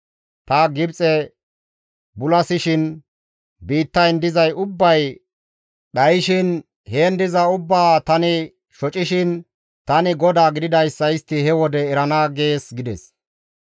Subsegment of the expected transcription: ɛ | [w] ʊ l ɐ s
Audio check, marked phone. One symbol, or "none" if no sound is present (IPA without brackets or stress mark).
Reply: b